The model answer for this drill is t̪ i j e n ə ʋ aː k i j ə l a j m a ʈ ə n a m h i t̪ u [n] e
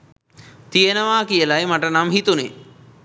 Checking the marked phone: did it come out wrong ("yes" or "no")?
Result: no